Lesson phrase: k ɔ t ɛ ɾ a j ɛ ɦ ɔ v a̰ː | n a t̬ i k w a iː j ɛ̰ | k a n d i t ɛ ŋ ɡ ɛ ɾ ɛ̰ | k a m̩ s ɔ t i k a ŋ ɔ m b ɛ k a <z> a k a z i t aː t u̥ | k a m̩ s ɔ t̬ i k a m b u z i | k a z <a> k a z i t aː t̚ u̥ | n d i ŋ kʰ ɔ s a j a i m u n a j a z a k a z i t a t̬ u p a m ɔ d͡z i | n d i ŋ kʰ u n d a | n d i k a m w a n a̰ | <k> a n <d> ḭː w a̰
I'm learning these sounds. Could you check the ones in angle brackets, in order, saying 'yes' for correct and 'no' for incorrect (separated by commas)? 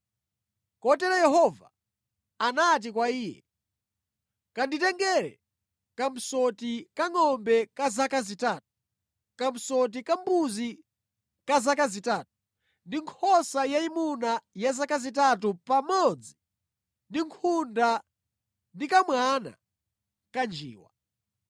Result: yes, yes, yes, no